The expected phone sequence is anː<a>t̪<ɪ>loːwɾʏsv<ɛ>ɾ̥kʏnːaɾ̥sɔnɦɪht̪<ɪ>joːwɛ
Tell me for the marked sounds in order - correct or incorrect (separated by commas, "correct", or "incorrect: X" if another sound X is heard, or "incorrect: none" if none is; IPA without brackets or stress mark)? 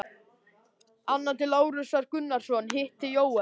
correct, correct, incorrect: a, correct